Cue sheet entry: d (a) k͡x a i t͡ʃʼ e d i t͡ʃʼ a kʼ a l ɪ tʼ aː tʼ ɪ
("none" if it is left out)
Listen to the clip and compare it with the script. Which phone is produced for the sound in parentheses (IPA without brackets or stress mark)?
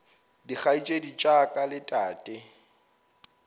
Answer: i